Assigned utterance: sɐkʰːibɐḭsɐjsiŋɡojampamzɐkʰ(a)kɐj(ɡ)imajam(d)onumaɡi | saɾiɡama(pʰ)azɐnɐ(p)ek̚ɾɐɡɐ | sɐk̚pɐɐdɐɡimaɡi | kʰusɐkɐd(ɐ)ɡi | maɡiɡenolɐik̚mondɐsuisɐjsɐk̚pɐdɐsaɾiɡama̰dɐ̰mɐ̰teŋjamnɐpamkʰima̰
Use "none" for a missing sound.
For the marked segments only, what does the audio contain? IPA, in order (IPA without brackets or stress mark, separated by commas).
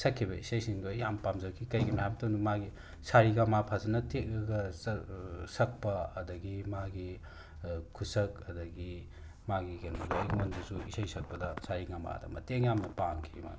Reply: i, ɡ, t, pʰ, t, ɐ